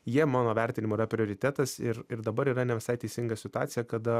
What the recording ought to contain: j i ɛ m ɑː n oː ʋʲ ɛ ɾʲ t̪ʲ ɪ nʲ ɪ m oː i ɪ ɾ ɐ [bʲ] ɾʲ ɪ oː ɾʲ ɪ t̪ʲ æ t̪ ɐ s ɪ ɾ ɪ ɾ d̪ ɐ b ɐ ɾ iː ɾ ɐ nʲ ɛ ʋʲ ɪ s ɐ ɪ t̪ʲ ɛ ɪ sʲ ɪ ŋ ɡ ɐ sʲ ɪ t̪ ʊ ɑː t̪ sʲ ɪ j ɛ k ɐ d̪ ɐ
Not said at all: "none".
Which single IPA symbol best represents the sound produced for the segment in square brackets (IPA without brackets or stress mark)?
pʲ